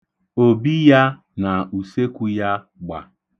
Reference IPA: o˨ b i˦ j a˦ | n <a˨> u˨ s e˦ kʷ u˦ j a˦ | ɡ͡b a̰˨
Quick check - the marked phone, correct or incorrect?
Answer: correct